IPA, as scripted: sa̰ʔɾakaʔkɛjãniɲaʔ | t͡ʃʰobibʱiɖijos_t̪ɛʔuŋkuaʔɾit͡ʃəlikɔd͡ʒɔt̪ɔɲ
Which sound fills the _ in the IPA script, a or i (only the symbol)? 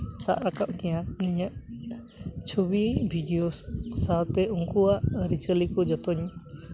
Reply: a